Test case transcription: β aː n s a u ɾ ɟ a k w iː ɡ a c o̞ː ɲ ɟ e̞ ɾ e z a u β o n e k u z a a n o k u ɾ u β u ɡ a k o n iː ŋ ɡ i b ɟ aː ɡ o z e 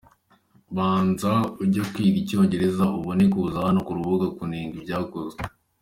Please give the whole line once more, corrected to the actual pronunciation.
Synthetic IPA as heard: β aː n z a u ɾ ɟ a k w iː ɡ i c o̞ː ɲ ɟ e̞ ɾ e z a u β o n e k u z a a n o k u ɾ u β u ɡ a k u n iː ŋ ɡ i b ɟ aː k o z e